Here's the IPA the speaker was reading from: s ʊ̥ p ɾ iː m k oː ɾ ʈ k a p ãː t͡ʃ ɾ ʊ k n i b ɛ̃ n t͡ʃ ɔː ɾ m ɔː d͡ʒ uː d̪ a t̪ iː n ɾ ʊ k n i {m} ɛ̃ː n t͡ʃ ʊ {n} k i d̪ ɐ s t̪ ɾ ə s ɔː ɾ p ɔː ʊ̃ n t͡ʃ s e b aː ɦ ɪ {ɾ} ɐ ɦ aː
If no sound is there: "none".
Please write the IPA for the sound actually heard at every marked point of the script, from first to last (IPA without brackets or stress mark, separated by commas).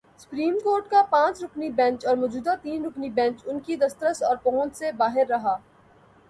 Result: b, n, ɾː